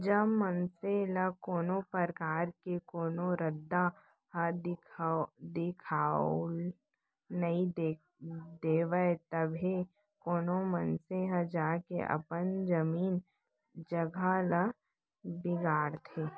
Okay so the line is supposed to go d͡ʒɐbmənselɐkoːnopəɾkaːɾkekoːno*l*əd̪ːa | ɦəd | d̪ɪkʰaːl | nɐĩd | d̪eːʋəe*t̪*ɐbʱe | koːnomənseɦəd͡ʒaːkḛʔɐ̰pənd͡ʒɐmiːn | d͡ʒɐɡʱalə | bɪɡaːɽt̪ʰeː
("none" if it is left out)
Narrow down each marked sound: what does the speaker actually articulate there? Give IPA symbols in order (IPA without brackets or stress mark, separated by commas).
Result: ɾ, t̪